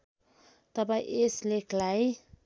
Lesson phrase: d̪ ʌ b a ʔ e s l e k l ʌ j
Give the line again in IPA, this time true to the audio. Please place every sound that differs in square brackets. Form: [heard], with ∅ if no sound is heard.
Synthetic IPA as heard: [t̪] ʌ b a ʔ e s l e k l [a] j